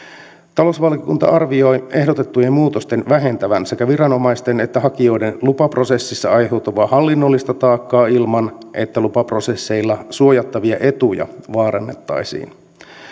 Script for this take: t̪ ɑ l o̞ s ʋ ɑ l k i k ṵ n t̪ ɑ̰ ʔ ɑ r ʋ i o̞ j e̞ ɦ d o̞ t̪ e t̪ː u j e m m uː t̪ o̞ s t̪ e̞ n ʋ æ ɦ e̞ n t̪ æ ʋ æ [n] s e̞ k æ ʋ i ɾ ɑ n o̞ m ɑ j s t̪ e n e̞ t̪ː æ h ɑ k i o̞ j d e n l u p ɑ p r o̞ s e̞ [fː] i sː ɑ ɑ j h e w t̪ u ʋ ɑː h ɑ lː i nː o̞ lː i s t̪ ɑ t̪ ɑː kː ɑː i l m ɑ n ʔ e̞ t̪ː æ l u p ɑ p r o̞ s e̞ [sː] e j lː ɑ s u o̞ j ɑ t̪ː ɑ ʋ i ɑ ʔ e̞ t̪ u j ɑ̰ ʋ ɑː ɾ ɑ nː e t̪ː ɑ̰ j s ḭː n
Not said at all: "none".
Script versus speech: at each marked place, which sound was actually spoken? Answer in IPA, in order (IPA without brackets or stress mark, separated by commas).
n, sː, sː